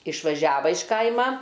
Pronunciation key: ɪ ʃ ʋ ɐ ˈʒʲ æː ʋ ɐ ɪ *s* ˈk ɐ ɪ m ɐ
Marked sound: incorrect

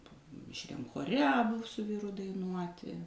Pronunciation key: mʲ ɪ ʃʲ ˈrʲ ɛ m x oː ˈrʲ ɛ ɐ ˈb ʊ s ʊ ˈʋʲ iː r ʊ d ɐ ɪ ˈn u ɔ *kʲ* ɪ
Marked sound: incorrect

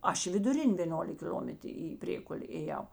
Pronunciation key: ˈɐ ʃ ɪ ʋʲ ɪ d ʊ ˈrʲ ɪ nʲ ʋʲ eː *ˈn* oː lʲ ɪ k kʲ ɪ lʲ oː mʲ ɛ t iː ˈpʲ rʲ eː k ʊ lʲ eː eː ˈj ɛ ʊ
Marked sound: correct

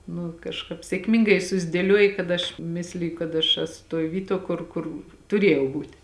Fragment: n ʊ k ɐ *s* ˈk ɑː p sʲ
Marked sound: incorrect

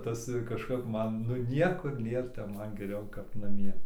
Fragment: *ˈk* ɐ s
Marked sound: incorrect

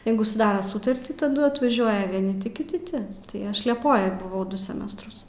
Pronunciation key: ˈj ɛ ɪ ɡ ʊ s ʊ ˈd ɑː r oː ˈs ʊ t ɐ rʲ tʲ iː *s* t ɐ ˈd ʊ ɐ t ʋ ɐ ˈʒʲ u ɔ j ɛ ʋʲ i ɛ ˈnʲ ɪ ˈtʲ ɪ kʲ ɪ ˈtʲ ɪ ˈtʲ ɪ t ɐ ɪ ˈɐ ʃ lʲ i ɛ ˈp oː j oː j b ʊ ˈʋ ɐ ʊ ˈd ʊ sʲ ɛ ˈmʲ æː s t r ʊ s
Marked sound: incorrect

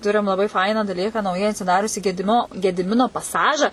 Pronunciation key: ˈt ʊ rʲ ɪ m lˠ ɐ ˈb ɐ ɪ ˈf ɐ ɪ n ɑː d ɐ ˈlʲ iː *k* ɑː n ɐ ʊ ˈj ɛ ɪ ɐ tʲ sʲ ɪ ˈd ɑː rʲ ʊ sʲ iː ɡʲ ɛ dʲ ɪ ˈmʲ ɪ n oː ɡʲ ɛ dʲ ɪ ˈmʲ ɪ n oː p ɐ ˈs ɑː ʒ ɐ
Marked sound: correct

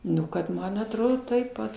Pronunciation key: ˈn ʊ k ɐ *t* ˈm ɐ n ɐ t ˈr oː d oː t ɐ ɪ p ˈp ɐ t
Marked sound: correct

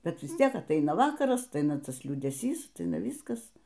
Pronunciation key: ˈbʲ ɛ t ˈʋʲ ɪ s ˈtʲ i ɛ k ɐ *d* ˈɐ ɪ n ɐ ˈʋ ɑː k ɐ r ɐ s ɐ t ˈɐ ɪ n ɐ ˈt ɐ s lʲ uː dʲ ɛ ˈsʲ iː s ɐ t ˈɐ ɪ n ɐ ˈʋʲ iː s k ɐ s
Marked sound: incorrect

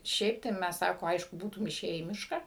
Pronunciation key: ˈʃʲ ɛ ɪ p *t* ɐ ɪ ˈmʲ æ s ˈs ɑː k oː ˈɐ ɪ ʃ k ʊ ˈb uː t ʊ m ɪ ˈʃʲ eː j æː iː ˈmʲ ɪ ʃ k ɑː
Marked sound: correct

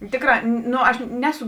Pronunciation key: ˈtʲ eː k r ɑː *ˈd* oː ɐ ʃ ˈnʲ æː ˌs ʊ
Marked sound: incorrect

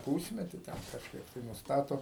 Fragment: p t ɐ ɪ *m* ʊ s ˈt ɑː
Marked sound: incorrect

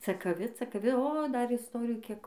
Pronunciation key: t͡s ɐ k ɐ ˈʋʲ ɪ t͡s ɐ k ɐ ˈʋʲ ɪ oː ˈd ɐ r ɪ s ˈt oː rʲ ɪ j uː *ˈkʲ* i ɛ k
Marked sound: correct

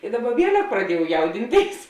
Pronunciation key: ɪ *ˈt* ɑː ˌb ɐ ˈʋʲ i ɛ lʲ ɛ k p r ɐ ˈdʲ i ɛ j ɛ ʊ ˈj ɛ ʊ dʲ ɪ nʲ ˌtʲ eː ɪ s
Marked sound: incorrect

